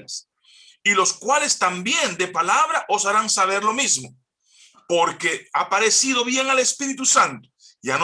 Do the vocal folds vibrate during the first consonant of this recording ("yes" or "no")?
no